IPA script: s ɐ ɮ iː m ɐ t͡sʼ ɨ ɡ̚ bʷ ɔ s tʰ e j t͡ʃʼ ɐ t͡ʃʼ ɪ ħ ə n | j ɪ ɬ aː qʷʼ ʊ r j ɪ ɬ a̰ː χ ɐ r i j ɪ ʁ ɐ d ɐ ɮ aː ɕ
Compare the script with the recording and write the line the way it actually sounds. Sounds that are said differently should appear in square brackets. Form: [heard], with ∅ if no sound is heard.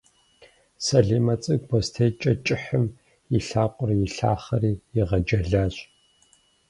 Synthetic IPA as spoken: s ɐ ɮ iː m ɐ t͡sʼ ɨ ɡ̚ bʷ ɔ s tʰ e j t͡ʃʼ ɐ t͡ʃʼ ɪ ħ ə [m] | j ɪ ɬ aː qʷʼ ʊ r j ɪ ɬ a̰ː χ ɐ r [iː] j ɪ ʁ ɐ [d͡ʒ] ɐ ɮ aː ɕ